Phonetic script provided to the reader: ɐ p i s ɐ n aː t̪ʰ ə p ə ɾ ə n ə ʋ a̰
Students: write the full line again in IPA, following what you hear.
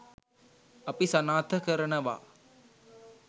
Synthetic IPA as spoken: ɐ p i s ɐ n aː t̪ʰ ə k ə ɾ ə n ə ʋ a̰